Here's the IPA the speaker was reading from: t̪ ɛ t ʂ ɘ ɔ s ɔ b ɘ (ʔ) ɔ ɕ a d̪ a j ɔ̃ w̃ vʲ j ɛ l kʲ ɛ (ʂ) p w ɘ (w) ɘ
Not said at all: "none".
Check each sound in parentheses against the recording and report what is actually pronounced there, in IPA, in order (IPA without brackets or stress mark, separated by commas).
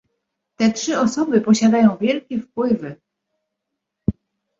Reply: p, f, v